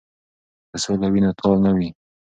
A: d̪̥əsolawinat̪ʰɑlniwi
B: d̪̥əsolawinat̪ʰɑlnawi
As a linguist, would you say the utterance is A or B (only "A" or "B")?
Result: B